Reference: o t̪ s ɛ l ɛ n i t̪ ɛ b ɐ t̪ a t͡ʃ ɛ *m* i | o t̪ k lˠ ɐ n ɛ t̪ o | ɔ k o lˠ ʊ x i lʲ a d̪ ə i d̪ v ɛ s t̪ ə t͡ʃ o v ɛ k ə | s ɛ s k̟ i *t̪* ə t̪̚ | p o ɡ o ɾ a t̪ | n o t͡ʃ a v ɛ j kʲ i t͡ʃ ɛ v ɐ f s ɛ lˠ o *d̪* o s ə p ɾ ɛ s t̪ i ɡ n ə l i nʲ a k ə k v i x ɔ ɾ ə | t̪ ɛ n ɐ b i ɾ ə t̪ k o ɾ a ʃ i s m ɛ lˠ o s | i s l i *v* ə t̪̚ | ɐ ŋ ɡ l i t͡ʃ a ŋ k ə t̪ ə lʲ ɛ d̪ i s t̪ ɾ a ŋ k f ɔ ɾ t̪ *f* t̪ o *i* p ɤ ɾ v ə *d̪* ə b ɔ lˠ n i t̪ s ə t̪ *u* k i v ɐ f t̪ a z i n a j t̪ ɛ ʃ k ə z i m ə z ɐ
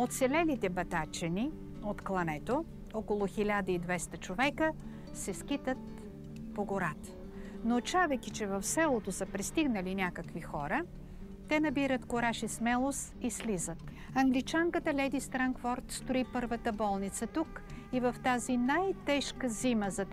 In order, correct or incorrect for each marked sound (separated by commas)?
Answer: incorrect, correct, incorrect, incorrect, incorrect, correct, incorrect, correct